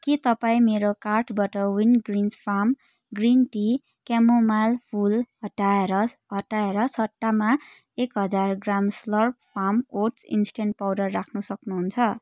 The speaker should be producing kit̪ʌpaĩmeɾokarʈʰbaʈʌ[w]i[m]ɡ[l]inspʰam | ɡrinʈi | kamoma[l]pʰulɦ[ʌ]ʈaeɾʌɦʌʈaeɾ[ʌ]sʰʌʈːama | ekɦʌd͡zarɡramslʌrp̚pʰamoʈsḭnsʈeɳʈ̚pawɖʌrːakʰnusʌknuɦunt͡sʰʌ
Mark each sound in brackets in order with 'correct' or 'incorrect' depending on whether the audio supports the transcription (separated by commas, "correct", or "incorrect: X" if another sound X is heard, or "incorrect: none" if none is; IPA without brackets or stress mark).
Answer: correct, incorrect: n, incorrect: r, correct, correct, correct